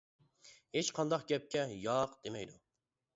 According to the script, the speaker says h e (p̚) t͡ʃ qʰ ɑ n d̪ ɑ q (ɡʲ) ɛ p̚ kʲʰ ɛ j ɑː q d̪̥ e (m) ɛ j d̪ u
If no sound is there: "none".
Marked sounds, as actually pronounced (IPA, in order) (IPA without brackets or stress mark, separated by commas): none, ɡʲ, m